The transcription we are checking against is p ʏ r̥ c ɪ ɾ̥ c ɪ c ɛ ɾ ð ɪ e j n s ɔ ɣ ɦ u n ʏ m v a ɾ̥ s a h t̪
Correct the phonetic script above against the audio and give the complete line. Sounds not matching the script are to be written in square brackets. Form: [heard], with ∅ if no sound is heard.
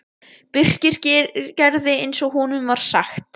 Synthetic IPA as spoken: p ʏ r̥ c ɪ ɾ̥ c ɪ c ɛ ɾ ð ɪ e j n s ɔ ɣ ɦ u n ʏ m v a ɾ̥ s a [x] t̪